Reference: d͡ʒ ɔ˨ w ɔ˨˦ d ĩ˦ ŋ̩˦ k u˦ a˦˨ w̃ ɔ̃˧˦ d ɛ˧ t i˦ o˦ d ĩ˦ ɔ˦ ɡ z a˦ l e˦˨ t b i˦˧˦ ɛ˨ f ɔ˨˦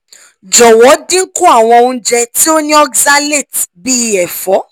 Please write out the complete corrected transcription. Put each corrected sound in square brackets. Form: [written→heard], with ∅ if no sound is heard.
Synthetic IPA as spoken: d͡ʒ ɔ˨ w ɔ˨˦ d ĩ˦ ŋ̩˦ k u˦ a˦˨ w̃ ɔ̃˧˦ [d→d͡ʒ] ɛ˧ t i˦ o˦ [d→n] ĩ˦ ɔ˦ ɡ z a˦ l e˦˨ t b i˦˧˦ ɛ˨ f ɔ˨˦